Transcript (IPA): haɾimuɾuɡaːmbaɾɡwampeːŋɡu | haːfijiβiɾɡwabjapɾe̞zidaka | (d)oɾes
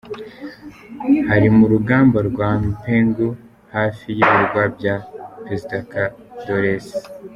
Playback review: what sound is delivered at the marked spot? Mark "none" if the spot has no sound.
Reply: d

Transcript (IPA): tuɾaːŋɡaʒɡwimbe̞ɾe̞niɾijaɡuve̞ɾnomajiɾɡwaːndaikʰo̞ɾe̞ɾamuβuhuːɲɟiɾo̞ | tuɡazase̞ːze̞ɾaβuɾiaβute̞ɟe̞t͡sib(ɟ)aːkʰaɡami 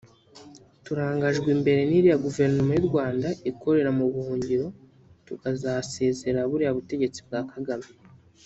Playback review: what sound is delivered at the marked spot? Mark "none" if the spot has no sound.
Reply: ɡ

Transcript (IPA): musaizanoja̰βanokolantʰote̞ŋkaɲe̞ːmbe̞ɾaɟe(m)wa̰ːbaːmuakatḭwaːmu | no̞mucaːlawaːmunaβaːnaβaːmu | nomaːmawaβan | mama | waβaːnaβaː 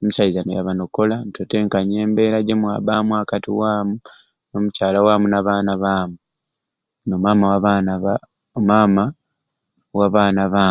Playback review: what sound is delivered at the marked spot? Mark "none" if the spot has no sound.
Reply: m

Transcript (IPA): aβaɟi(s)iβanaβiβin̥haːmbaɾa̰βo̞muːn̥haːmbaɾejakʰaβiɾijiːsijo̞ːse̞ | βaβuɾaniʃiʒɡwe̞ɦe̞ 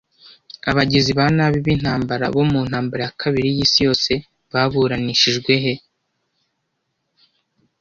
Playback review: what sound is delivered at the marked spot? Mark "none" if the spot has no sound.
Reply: z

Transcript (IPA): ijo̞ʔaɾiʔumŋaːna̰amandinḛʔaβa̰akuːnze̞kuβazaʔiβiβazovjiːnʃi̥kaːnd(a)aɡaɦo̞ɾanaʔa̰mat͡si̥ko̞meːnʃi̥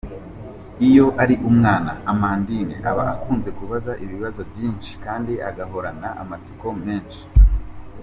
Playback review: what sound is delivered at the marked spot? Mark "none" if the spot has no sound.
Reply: i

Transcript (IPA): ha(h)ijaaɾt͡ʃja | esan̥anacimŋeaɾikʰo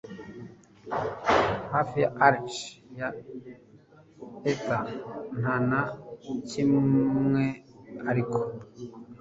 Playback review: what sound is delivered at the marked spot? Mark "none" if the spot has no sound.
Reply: f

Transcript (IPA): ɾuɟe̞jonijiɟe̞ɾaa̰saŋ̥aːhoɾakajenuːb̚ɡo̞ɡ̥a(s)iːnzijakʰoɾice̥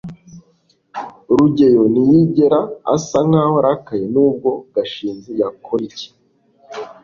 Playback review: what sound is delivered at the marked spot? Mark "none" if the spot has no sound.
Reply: ʃ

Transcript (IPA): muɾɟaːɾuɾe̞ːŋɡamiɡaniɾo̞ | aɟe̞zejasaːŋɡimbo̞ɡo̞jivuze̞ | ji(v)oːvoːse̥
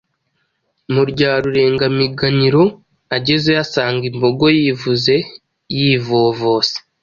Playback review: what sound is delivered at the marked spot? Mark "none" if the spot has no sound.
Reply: v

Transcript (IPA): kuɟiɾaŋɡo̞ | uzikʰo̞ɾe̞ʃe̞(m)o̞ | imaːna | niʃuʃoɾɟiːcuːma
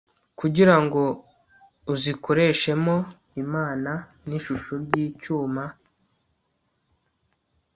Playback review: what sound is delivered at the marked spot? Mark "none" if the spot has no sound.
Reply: m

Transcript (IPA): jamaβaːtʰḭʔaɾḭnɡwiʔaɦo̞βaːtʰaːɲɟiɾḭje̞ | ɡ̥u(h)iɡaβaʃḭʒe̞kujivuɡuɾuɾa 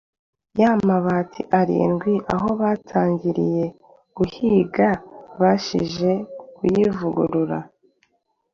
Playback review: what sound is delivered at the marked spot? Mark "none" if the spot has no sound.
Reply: h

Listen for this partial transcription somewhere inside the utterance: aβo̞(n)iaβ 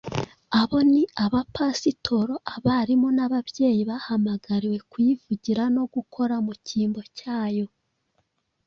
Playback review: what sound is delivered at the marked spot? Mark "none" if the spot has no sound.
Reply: n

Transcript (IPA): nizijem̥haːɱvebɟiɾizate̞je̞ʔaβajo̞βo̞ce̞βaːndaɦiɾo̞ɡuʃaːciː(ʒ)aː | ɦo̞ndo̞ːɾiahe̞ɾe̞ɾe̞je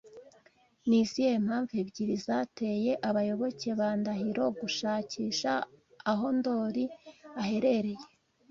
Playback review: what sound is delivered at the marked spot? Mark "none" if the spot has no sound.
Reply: ʃ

